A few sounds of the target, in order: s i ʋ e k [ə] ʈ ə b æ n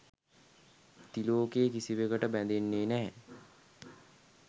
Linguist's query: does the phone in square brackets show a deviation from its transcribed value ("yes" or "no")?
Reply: no